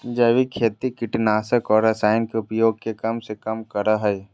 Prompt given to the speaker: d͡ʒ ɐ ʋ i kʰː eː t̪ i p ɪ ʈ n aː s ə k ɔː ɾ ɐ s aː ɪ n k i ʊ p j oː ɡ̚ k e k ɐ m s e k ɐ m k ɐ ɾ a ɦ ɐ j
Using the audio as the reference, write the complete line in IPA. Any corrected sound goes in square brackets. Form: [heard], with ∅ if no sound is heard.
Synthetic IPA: d͡ʒ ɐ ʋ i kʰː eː t̪ i [k] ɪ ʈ n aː s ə k ɔː ɾ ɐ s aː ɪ n k [e] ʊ p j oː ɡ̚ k e k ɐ m s e k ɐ m k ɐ ɾ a ɦ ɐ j